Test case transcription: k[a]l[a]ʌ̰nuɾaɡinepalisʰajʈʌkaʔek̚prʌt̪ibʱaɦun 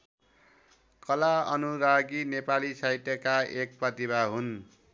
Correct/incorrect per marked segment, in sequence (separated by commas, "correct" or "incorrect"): incorrect, correct